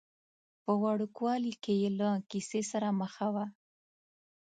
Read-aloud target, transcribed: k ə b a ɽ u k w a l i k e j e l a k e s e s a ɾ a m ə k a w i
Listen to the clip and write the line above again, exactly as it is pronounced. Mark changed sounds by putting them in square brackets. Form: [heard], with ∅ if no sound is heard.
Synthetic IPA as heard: [p] ə [w] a ɽ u k w [ɑ] l i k e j e l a k [i] s e s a ɾ a m ə [x] a w [a]